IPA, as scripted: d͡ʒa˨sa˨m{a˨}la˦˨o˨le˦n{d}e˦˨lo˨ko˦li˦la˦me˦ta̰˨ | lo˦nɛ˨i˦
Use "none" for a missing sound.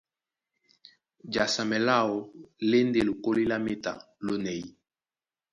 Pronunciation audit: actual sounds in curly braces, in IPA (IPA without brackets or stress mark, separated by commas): ɛ˨, d